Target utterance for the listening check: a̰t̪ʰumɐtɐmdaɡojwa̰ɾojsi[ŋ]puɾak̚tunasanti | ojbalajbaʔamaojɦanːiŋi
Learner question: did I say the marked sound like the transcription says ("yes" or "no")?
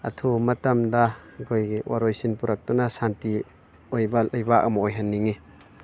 no